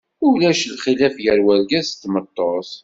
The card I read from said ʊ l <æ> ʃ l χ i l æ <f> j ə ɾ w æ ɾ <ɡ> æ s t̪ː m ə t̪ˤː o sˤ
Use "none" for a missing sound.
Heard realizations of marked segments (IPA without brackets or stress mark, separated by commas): æ, f, ɡ